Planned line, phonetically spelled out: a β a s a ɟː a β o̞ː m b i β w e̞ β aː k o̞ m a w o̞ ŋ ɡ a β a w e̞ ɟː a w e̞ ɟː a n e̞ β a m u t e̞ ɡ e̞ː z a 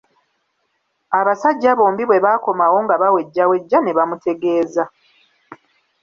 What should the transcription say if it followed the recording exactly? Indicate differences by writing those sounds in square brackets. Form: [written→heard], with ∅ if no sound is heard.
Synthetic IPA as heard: a β a s a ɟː a β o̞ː m b i β w e̞ β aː k o̞ m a w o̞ ŋ ɡ a β a w e̞ ɟː a w e̞ ɟː a n e̞ β a m u t e̞ ɡ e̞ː z a